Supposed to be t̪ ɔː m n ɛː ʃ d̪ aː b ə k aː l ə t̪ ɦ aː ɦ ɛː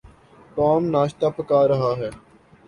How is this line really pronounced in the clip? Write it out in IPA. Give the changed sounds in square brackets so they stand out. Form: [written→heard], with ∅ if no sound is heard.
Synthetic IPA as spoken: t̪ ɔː m n [ɛː→aː] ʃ [d̪→t̪] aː [b→p] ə k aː [l→ɾ] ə [t̪→∅] ɦ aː ɦ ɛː